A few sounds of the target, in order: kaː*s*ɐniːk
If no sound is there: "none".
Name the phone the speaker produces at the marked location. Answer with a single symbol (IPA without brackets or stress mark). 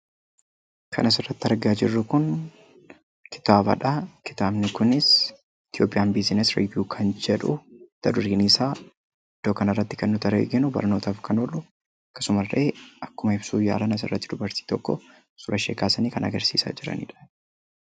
s